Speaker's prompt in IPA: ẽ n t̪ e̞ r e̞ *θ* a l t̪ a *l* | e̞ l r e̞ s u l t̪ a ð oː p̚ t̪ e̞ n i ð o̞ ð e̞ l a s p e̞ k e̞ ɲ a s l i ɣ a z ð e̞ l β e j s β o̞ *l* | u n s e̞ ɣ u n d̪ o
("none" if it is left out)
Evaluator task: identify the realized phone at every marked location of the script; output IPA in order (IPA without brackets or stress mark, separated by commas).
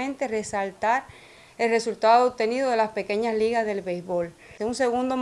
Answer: s, ɾ, l